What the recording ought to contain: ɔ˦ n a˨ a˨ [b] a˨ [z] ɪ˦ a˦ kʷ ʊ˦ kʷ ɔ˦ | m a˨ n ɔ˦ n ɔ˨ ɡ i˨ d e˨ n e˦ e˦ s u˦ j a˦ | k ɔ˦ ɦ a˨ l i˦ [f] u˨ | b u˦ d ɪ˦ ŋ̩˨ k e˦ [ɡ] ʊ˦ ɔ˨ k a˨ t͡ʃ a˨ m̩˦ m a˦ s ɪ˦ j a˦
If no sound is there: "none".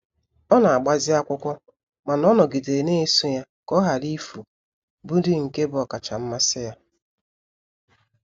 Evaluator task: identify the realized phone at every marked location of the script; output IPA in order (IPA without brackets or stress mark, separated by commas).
ɡ͡b, z, f, b